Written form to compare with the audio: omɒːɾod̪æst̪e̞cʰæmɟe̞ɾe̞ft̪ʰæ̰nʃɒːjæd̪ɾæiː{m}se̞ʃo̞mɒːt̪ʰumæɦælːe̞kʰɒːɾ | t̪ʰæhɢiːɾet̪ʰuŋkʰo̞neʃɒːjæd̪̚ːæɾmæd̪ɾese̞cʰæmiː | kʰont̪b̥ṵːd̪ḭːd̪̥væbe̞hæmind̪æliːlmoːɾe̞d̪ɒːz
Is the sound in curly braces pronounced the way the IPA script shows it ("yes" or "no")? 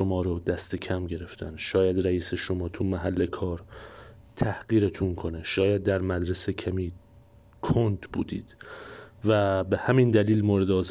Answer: no